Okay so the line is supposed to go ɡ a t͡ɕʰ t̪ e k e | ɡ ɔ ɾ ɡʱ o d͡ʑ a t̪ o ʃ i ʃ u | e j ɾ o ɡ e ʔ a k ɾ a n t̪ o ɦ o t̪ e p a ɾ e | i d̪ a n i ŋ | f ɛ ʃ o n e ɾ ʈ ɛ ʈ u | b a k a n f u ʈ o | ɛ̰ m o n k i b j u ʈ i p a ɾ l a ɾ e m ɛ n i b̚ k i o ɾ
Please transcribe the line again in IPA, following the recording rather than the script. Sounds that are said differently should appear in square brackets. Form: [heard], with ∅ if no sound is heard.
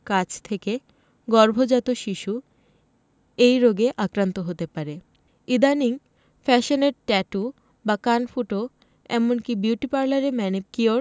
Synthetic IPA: [k] a t͡ɕʰ [t̪ʰ] e k e | ɡ ɔ ɾ [bʱ] o d͡ʑ a t̪ o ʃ i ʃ u | e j ɾ o ɡ e ʔ a k ɾ a n t̪ o ɦ o t̪ e p a ɾ e | i d̪ a n i ŋ | f ɛ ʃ o n e ɾ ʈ ɛ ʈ u | b a k a n f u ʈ o | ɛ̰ m o n k i b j u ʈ i p a ɾ l a ɾ e m ɛ n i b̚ k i o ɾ